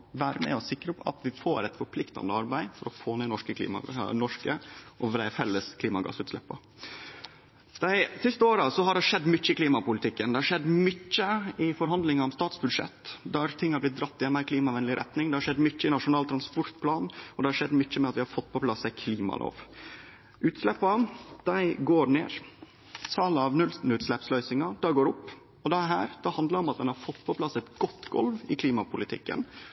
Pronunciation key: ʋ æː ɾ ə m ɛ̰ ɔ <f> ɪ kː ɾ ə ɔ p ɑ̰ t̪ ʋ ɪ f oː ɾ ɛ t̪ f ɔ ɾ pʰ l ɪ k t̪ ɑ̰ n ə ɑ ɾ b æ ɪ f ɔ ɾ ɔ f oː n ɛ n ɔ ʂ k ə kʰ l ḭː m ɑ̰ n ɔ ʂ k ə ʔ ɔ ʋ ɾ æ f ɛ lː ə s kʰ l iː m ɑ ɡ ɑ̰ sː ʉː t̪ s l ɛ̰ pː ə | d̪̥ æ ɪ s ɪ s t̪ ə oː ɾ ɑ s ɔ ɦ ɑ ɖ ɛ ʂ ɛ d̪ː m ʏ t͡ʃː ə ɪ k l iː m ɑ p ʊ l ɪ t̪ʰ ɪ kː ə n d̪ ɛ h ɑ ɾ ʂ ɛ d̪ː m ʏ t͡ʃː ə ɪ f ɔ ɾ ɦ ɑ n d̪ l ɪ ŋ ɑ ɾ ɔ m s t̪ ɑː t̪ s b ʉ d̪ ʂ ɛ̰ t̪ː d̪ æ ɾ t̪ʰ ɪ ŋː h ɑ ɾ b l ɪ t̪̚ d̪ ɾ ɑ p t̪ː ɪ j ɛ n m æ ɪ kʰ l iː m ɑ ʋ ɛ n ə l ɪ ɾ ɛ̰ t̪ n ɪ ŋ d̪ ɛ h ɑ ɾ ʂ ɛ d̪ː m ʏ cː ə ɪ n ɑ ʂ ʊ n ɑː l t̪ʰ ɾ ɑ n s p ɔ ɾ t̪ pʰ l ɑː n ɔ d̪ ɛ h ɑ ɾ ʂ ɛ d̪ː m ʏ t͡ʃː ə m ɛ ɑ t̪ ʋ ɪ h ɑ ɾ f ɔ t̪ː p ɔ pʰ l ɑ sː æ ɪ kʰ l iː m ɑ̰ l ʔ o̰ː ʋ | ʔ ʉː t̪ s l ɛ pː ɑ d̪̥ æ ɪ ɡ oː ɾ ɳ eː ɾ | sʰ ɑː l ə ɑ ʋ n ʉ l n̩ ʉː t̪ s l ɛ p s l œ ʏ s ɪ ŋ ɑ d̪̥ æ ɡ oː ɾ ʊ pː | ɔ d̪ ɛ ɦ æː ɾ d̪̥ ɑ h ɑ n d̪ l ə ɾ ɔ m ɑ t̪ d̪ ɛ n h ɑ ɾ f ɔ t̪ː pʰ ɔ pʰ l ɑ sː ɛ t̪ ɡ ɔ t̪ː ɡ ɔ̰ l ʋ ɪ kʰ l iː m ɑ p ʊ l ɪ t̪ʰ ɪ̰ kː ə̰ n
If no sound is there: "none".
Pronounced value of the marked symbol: s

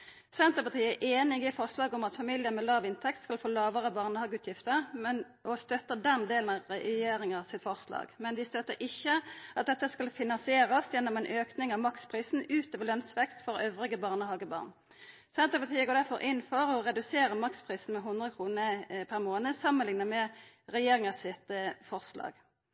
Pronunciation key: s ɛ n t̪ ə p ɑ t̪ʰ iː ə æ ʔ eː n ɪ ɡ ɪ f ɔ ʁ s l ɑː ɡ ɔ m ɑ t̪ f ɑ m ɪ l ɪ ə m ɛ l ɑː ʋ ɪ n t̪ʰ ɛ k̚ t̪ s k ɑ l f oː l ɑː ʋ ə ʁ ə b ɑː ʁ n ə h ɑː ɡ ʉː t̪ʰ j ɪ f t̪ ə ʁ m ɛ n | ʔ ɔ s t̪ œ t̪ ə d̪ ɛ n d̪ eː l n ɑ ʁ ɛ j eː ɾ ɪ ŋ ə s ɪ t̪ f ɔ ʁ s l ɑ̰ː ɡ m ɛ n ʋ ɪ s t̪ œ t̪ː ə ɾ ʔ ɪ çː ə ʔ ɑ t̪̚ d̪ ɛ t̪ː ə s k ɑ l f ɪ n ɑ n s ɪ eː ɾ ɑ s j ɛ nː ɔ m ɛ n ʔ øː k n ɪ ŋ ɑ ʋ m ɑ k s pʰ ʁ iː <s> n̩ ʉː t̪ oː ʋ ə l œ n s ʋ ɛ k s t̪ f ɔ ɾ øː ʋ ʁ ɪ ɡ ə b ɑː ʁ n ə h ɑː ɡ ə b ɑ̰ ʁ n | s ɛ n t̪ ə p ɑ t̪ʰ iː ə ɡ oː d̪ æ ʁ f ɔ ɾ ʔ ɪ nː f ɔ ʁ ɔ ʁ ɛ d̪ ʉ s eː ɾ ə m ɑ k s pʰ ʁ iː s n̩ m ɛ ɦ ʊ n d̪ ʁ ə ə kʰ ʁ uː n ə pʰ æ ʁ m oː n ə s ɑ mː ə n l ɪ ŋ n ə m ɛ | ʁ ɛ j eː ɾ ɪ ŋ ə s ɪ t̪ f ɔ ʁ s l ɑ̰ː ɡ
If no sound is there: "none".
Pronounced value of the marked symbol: s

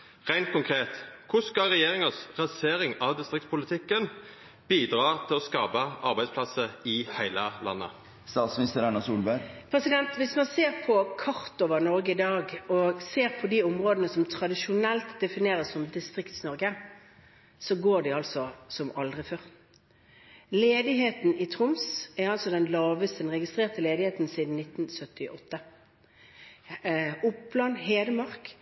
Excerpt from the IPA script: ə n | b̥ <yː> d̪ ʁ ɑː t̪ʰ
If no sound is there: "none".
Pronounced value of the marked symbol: iː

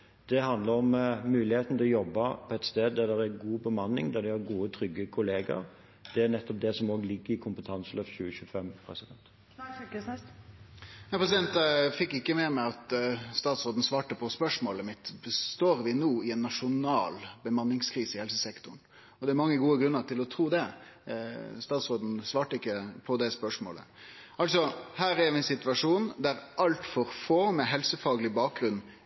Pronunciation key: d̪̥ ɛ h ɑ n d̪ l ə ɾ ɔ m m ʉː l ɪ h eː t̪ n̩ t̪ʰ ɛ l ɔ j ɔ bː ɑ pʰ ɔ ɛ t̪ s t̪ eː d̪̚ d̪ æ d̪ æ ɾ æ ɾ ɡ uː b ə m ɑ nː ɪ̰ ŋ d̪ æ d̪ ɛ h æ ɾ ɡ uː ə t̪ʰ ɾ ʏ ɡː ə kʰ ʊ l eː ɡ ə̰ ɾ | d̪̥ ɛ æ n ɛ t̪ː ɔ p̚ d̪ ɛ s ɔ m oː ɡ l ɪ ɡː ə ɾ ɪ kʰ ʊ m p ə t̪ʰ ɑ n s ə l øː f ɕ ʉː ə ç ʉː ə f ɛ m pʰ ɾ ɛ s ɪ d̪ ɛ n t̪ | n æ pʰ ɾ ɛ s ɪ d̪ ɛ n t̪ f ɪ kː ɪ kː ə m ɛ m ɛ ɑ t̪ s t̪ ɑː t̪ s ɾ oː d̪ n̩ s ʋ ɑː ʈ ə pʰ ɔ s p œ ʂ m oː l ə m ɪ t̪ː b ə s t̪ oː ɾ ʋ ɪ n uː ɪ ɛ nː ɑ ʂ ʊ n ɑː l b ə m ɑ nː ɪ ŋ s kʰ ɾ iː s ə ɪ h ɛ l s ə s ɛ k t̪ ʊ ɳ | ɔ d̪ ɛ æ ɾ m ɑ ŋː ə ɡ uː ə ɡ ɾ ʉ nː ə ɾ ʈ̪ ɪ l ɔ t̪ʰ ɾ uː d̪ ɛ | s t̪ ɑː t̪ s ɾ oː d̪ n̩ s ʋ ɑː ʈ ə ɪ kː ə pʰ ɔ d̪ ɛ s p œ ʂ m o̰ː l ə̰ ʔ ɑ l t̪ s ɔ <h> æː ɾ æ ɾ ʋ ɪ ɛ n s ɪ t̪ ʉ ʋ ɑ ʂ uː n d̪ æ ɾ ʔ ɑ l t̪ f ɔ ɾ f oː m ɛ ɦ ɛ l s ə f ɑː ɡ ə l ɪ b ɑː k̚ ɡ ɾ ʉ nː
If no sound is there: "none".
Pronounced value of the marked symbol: h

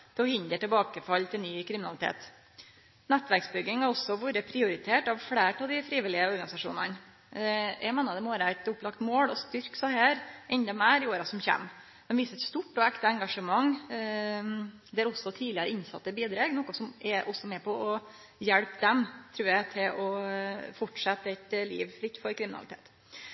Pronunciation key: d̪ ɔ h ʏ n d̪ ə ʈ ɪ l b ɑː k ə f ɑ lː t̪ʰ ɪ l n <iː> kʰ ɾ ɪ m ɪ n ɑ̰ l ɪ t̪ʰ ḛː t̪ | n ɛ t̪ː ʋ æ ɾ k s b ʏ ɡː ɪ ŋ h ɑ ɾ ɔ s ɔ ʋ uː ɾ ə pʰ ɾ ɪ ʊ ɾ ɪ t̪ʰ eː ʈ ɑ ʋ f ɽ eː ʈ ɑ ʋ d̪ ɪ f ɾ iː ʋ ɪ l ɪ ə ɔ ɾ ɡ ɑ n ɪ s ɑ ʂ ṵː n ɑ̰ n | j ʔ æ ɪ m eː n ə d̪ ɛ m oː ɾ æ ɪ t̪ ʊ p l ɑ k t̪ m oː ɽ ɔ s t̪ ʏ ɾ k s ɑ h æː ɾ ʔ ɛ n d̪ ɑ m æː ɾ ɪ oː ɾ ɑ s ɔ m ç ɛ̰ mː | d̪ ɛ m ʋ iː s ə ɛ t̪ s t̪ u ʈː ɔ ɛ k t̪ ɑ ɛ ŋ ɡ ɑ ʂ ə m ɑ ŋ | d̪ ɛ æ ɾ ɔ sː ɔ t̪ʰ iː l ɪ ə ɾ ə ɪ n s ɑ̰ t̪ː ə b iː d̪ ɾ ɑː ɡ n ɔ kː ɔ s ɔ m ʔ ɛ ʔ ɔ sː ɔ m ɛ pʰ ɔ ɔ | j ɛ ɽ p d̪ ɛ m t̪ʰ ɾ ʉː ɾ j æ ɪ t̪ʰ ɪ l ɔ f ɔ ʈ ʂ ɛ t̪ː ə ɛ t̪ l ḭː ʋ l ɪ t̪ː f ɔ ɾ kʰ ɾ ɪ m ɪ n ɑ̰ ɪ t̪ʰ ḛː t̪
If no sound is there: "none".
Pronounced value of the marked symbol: yː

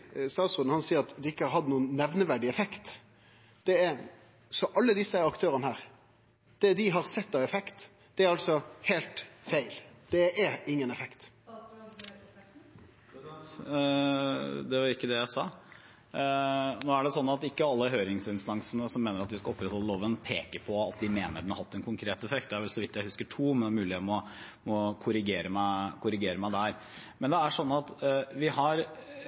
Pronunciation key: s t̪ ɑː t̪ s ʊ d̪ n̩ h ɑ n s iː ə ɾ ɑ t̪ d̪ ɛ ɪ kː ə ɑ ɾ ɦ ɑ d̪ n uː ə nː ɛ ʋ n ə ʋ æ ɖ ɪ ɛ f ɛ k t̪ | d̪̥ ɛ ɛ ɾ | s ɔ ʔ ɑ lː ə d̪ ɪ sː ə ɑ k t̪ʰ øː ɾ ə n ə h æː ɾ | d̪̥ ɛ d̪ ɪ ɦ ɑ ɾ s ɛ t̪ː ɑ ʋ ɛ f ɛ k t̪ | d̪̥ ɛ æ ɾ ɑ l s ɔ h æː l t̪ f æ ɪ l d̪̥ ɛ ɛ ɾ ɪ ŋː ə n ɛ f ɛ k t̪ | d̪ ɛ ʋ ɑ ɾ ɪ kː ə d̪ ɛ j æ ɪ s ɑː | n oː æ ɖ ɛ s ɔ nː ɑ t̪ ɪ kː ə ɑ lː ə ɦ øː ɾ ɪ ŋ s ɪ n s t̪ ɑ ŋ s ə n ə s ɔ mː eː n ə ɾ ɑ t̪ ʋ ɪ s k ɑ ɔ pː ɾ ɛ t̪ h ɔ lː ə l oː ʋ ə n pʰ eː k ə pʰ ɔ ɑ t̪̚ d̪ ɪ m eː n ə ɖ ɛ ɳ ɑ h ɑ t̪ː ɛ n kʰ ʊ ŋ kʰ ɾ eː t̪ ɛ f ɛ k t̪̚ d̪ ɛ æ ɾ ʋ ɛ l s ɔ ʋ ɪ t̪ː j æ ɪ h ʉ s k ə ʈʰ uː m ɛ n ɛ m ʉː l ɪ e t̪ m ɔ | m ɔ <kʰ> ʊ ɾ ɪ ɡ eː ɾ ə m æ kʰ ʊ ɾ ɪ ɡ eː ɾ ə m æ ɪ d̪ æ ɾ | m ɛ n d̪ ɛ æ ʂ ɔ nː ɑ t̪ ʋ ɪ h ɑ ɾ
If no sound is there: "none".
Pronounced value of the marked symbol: kʰ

